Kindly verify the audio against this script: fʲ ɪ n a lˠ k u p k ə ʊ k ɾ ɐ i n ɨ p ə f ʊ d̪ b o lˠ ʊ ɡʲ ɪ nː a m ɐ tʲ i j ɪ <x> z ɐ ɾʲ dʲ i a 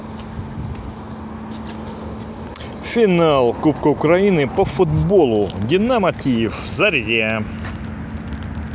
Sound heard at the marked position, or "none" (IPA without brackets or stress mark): f